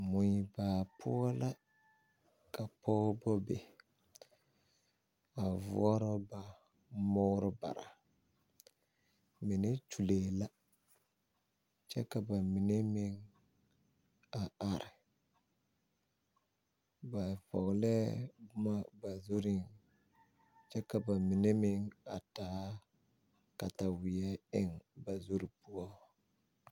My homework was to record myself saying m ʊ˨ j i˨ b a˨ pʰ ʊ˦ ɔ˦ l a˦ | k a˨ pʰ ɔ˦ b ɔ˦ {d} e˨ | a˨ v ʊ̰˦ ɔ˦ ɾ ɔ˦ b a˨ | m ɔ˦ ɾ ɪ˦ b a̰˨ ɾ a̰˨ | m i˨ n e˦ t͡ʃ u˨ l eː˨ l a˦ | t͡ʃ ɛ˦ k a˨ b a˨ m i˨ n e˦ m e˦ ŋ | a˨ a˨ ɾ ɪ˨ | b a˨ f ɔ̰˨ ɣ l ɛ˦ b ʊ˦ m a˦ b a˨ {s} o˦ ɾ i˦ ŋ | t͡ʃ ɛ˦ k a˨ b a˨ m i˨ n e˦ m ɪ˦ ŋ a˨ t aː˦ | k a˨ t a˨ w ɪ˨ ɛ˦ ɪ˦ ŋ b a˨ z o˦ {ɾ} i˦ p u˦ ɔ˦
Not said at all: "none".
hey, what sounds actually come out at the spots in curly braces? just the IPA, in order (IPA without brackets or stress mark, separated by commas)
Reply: b, z, ɾ